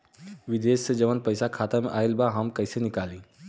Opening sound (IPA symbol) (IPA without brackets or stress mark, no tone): ʋ